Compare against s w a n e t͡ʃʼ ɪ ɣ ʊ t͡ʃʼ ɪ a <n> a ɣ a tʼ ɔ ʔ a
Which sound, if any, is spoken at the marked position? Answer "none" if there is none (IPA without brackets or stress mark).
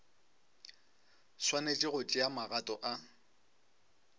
m